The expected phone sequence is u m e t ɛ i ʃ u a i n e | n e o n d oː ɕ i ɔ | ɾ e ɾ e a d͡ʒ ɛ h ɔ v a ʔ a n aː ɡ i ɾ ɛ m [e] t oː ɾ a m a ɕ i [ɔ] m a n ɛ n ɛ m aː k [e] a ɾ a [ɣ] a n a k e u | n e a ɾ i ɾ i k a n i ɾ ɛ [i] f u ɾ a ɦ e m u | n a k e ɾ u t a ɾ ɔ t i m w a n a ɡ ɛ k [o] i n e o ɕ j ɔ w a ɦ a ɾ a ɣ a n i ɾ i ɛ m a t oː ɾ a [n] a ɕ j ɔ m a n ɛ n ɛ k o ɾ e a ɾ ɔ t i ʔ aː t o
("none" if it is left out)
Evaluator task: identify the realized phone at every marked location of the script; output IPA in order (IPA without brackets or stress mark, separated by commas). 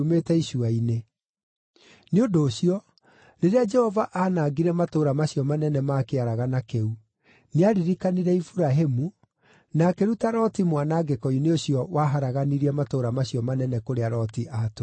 a, ɔ, e, ɣ, i, ɔ, m